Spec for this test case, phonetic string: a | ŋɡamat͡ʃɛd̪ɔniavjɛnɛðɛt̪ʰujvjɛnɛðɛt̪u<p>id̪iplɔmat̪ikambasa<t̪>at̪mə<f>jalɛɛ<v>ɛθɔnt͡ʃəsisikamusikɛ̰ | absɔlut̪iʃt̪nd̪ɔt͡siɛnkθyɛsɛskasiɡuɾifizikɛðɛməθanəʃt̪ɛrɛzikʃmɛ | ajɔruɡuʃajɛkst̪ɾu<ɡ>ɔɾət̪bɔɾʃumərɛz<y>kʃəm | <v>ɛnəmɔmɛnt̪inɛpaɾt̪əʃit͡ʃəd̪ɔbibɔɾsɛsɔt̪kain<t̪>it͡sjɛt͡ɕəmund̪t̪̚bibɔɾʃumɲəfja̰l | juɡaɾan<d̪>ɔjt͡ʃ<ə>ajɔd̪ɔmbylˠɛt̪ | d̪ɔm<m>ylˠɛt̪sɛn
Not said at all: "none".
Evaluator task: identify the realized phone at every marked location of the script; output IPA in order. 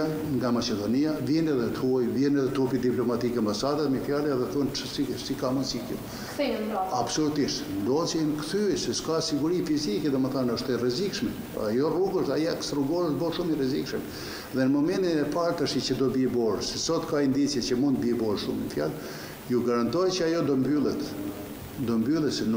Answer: p, d̪, f, ð, ɡ, i, ð, d̪, t̪, ə, b

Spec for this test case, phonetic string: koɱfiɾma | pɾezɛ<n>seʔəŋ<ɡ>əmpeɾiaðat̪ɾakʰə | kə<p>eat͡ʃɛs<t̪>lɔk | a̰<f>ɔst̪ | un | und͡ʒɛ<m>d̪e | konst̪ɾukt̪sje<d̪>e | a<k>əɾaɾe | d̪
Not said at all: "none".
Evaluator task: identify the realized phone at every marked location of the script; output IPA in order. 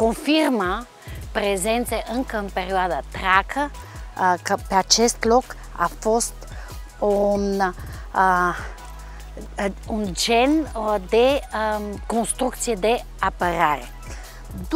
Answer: n, k, p, t̪, f, n, d̪, p

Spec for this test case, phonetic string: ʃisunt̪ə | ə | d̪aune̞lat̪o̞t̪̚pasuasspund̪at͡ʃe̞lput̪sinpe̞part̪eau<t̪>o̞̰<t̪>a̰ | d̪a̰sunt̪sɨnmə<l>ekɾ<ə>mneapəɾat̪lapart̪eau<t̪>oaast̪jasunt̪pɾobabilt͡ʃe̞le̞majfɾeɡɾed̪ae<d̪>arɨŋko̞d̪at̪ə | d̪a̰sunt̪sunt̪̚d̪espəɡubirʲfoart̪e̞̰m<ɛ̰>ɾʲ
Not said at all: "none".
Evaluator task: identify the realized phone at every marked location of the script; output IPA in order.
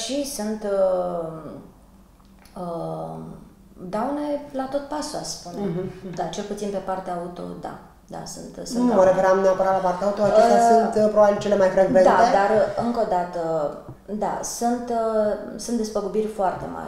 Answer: t̪, d̪, ɾ, a, t̪, d̪, a̰

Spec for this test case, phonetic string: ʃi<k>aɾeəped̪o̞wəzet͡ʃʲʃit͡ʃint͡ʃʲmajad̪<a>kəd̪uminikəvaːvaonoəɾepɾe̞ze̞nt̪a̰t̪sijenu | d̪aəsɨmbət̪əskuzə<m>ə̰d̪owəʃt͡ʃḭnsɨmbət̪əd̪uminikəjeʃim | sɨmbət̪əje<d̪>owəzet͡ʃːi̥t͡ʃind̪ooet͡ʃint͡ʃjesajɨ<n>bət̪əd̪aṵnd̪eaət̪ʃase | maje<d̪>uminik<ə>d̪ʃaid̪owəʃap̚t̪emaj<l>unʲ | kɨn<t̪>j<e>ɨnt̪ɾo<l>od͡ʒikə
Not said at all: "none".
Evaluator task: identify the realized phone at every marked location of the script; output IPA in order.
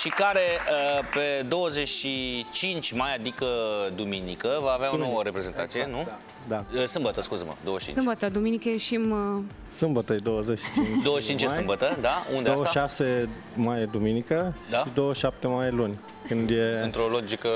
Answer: k, i, m, d̪, m, d̪, ə, l, d̪, e, l

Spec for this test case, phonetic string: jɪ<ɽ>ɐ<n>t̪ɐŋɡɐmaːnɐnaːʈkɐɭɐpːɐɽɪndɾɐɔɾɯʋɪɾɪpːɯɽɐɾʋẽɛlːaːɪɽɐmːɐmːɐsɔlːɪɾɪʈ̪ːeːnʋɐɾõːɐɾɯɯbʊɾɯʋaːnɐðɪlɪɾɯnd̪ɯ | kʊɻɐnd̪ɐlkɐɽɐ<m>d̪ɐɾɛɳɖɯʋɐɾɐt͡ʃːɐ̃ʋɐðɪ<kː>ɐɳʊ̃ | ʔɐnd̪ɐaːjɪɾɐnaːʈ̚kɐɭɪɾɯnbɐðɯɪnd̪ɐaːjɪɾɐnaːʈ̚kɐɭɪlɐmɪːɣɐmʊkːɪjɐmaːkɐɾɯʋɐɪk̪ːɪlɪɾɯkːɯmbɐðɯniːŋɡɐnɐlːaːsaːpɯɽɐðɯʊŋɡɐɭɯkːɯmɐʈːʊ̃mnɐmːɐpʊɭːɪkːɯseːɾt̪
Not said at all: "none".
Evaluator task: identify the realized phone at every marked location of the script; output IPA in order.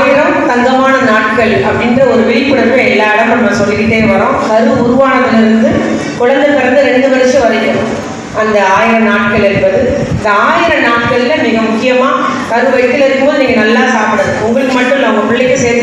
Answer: ɾ, m, n, kː

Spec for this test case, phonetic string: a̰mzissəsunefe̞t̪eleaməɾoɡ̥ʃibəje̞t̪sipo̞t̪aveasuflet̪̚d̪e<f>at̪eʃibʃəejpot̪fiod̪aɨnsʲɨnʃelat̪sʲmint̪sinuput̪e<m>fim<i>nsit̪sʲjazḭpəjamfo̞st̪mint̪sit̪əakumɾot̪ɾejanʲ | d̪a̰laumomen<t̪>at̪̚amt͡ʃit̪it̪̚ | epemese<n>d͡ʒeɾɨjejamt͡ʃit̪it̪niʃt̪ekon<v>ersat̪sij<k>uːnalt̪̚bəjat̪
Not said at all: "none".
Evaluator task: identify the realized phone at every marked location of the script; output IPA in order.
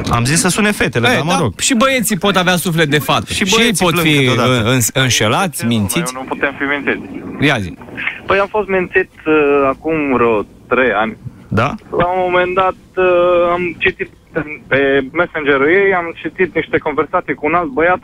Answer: f, m, i, d̪, n, v, k

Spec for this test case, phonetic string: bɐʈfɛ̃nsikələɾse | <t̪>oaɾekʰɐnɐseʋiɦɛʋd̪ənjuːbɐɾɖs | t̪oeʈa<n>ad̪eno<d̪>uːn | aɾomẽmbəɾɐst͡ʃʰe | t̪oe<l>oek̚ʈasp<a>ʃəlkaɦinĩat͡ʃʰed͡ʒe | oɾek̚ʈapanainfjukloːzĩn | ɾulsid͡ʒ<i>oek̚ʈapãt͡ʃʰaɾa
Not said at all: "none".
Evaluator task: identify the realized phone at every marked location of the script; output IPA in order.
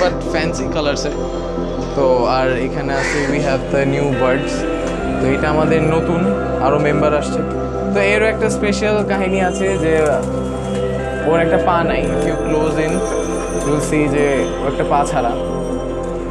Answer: t̪, m, t̪, ɾ, e, e

